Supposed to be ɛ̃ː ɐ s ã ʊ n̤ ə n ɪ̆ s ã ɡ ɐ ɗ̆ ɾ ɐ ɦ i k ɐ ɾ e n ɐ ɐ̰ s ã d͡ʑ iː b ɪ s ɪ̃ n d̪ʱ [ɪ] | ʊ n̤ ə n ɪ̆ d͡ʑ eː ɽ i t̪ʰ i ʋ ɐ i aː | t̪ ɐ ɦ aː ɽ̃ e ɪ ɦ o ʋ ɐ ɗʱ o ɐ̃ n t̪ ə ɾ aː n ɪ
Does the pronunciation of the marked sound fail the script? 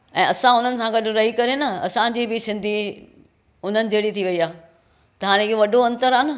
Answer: yes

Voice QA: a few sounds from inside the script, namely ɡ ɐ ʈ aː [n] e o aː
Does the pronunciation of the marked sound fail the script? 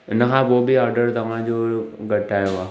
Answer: yes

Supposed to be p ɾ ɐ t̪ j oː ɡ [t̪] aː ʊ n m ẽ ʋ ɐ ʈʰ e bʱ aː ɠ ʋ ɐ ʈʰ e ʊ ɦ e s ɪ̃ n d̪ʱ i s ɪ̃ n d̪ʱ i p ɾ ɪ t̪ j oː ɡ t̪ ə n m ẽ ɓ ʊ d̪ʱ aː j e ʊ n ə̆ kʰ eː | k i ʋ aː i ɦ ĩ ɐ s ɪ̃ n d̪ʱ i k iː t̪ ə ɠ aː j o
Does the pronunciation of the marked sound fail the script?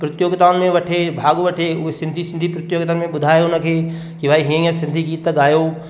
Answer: no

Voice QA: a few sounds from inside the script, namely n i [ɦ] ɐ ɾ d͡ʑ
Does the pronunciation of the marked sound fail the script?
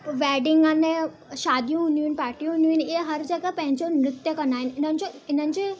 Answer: no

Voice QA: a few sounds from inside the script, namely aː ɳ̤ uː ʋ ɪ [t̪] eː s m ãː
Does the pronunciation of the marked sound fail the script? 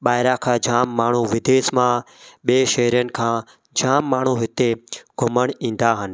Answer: yes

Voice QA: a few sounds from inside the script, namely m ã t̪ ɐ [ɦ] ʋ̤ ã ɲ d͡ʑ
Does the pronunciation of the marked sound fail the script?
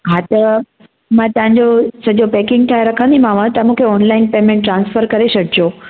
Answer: yes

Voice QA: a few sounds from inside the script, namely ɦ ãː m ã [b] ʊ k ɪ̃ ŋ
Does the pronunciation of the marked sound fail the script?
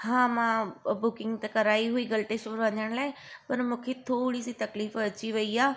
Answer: no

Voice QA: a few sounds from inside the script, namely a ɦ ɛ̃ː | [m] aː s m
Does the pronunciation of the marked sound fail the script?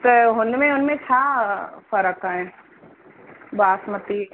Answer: yes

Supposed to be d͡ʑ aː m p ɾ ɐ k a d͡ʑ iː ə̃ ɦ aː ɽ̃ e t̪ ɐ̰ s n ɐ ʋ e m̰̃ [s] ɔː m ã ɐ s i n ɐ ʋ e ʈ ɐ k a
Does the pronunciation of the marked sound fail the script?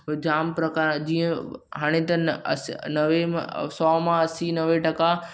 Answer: no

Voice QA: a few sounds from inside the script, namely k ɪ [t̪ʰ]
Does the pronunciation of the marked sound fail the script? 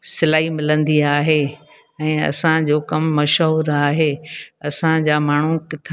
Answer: no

